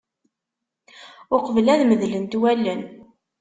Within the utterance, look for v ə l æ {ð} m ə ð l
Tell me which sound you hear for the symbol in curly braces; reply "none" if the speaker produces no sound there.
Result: ð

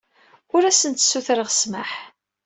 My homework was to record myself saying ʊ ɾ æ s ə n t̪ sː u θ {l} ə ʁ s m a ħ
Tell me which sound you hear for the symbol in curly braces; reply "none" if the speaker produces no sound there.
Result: ɾ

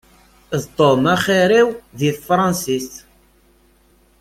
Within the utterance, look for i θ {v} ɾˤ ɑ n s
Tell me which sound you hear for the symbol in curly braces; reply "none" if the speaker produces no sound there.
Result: f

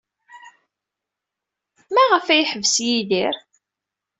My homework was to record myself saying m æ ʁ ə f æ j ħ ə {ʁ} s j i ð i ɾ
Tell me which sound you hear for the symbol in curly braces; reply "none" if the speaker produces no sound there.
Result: v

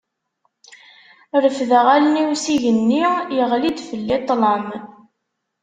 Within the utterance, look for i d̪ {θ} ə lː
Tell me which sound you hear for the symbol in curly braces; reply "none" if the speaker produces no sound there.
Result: f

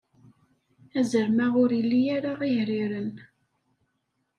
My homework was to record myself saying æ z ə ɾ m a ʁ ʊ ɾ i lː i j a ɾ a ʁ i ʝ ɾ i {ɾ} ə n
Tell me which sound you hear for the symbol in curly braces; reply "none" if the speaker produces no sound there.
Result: ɾ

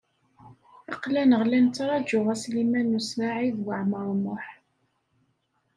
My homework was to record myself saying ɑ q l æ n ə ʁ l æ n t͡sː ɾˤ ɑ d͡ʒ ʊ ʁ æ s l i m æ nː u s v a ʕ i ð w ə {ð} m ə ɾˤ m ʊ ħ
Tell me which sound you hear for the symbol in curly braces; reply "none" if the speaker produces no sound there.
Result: ʕ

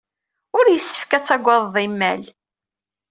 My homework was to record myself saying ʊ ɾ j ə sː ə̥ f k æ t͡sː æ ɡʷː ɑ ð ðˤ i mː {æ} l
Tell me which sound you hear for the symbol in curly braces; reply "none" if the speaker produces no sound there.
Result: æ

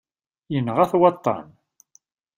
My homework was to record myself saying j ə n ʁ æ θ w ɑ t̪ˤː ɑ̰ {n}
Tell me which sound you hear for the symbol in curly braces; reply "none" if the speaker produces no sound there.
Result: n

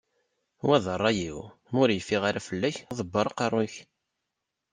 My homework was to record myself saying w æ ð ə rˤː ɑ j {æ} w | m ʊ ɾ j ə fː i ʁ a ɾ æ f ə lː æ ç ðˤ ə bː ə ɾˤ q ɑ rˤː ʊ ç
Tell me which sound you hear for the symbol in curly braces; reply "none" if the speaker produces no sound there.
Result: i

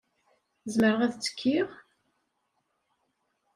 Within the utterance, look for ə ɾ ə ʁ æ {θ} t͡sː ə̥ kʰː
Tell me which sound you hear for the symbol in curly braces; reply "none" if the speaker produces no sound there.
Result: ð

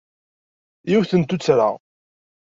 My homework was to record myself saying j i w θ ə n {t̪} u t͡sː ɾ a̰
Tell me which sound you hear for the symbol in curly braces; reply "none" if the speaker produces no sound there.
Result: t̪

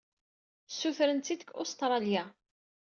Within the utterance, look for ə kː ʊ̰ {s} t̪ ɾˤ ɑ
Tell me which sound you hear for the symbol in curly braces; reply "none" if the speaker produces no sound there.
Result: s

